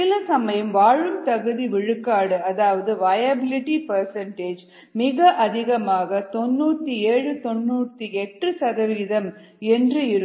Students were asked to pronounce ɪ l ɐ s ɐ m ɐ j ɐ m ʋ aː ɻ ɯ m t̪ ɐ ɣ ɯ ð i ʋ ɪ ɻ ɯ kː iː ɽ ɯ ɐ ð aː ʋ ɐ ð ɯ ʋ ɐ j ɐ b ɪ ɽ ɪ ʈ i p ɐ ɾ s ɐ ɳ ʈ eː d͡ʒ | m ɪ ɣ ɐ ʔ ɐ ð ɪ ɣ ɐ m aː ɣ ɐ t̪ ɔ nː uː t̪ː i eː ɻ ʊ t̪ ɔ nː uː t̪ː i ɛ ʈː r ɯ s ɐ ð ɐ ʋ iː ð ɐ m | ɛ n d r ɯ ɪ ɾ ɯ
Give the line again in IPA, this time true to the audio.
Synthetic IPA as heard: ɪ l ɐ s ɐ m ɐ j ɐ m ʋ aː ɻ ɯ m t̪ ɐ ɣ ɯ ð i ʋ ɪ ɻ ɯ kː aː ɽ ɯ ɐ ð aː ʋ ɐ ð ɯ ʋ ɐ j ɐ b ɪ l ɪ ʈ i p ɐ ɾ s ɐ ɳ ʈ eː d͡ʒ | m ɪ ɣ ɐ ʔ ɐ ð ɪ ɣ ɐ m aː ɣ ɐ t̪ ɔ nː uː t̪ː i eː ɻ ɯ t̪ ɔ nː uː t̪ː i ɛ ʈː r ɯ s ɐ ð ɐ ʋ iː ð ɐ m | ɛ n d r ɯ ɪ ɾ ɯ